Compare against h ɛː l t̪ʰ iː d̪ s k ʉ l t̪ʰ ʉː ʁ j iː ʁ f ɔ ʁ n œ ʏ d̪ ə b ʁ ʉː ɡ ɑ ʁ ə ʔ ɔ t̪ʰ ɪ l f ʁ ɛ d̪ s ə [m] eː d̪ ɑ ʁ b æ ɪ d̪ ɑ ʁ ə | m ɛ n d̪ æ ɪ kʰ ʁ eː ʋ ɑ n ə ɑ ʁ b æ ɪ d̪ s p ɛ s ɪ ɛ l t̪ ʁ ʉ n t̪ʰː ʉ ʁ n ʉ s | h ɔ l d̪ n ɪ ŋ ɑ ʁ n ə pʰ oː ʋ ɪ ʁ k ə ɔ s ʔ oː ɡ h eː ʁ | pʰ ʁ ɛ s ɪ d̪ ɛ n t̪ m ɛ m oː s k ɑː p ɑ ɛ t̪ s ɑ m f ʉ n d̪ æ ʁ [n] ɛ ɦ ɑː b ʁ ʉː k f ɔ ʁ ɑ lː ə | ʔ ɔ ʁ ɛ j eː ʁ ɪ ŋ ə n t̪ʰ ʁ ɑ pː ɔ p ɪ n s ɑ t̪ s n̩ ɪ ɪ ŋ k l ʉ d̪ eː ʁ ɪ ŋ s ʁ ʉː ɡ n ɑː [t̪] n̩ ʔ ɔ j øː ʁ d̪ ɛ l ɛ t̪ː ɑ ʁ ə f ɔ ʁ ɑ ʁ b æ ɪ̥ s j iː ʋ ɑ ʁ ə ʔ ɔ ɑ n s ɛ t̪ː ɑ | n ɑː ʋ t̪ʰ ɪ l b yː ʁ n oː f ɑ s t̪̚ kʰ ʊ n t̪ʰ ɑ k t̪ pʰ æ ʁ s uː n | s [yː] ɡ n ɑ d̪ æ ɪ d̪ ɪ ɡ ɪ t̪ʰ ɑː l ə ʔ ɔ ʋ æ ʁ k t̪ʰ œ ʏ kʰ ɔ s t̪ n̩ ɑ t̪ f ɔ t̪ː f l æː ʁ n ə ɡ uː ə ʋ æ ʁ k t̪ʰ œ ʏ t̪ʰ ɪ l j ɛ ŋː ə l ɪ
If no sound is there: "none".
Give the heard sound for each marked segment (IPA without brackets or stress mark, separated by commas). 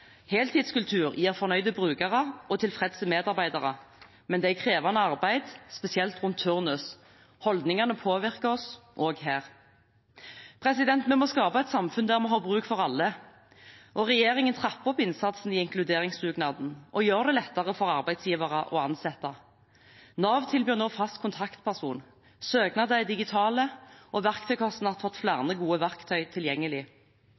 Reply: m, m, d̪, øː